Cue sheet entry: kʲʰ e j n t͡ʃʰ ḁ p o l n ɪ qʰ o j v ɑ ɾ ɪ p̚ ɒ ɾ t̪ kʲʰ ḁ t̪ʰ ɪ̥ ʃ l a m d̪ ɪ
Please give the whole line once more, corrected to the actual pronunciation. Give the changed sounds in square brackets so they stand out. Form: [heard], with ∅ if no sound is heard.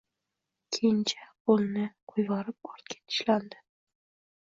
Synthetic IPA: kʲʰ e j n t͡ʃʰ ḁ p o l n ɪ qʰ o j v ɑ ɾ ɪ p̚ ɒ ɾ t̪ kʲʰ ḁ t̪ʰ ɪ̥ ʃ l a [n] d̪ ɪ